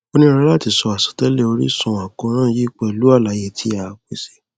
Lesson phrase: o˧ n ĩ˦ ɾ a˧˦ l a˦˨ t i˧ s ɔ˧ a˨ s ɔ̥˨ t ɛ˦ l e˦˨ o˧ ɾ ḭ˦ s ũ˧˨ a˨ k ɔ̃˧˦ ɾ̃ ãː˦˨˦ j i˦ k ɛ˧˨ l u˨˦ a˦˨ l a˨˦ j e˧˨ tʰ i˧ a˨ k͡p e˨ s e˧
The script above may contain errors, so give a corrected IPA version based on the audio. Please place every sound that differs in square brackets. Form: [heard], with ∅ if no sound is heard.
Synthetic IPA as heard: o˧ n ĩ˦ ɾ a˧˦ l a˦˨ t i˧ s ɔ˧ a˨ s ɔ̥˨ t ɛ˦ l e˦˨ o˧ ɾ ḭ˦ s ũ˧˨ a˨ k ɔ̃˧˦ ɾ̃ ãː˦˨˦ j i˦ [k͡p] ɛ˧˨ l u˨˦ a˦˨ l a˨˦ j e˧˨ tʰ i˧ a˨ k͡p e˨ s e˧